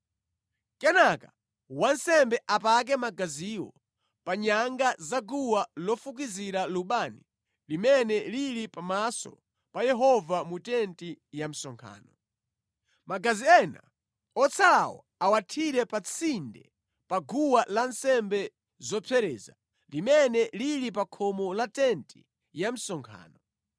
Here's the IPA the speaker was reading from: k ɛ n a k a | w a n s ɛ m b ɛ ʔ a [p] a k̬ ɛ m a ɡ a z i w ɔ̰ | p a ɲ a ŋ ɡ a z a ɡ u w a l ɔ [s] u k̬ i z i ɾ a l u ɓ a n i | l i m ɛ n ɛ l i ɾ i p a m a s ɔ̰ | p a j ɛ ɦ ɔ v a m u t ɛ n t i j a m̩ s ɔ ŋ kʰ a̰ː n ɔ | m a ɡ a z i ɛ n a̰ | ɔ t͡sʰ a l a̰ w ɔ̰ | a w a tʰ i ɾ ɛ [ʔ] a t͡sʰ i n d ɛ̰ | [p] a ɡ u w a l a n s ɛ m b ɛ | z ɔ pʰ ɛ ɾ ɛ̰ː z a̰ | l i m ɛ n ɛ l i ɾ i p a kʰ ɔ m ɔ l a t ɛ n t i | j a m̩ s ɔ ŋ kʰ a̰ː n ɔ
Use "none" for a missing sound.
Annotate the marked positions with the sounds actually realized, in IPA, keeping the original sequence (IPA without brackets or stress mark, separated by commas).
p, f, p, p